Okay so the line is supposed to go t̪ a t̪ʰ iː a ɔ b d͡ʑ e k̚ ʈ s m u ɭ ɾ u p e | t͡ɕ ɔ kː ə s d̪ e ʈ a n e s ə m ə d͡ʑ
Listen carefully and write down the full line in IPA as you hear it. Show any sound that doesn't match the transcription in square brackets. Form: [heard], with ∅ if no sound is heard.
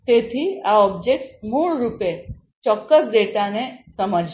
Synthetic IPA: t̪ [e] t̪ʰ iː a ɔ b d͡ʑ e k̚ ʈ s m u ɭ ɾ u p e | t͡ɕ ɔ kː ə s d̪ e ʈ a n e s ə m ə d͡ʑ